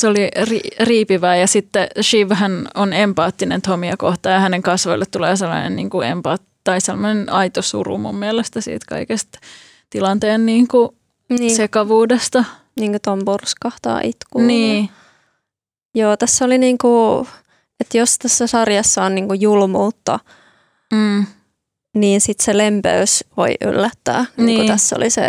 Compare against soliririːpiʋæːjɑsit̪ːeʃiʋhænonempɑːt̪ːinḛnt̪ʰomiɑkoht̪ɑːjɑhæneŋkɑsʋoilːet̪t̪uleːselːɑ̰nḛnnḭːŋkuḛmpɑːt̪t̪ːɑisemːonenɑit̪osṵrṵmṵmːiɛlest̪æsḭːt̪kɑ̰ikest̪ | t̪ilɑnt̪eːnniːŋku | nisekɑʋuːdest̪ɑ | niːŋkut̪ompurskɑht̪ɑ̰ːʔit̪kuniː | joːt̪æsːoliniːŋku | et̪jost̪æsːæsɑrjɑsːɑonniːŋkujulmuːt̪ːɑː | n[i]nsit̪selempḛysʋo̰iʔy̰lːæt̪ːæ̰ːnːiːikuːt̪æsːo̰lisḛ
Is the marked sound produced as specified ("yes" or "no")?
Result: no